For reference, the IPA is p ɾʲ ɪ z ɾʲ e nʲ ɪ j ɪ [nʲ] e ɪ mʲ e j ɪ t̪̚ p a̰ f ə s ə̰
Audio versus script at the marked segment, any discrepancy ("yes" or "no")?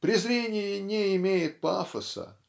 no